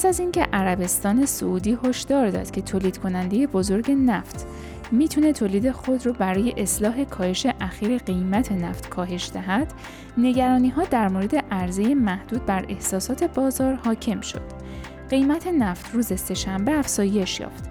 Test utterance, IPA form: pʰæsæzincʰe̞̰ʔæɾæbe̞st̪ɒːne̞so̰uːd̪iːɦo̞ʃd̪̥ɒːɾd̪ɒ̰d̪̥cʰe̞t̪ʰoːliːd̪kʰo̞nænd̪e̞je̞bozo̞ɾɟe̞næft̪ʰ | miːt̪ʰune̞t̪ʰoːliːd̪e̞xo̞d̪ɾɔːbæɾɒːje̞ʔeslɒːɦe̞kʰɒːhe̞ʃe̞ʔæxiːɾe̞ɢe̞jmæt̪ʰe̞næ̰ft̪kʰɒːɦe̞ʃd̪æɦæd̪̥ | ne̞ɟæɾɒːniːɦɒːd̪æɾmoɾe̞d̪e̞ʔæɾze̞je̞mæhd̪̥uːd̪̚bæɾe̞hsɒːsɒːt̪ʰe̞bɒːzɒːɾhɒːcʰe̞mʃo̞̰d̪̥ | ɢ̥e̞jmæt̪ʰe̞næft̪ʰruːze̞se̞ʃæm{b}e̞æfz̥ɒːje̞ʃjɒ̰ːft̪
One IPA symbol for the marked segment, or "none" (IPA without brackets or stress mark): b